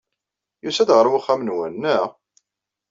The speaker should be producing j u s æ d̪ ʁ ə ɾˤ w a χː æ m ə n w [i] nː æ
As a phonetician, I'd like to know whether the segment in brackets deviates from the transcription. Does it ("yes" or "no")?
yes